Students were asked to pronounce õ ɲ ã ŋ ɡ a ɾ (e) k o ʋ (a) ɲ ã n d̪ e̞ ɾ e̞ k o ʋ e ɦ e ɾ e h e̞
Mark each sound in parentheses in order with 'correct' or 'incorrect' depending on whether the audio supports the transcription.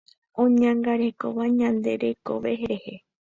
correct, correct

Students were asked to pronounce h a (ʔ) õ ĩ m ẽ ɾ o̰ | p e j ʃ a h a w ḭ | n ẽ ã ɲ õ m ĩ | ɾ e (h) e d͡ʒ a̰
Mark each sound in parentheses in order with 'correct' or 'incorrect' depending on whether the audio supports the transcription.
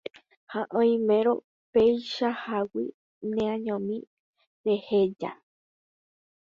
correct, correct

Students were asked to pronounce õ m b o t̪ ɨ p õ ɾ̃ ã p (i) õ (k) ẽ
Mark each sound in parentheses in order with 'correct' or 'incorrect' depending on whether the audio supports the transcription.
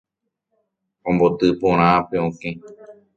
incorrect: e, correct

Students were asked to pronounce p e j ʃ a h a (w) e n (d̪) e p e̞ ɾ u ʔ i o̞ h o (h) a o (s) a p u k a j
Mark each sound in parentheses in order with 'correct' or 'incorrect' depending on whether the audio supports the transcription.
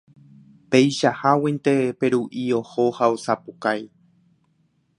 correct, incorrect: t̪, correct, correct

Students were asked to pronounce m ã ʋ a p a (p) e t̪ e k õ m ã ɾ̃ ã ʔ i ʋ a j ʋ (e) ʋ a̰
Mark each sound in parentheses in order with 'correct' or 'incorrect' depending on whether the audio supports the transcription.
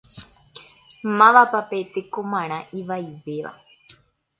correct, correct

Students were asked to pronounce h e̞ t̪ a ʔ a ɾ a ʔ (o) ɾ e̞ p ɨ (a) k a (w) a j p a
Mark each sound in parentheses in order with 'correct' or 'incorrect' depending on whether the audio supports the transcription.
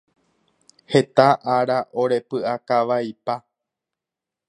correct, correct, incorrect: ʋ

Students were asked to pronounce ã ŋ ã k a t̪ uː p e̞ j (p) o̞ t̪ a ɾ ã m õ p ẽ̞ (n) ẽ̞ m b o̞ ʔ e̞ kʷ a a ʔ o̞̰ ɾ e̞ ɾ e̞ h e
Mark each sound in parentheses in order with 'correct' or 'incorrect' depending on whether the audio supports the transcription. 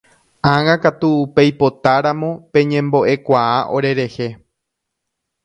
correct, incorrect: ɲ

